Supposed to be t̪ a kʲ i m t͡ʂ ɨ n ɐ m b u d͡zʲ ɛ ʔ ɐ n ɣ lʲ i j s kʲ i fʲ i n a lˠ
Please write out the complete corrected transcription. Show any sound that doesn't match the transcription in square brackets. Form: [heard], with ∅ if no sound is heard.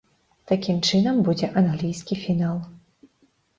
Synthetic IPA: t̪ a kʲ i m t͡ʂ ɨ n ɐ m b u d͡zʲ ɛ ʔ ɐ n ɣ lʲ i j s kʲ i fʲ i n a lˠ